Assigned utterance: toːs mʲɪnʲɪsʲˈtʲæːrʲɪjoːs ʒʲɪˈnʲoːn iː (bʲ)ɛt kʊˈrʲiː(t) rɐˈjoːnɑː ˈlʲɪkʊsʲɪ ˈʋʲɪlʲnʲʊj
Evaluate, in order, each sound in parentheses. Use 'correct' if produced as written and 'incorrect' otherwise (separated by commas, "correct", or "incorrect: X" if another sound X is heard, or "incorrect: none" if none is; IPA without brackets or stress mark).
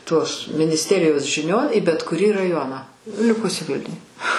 correct, incorrect: none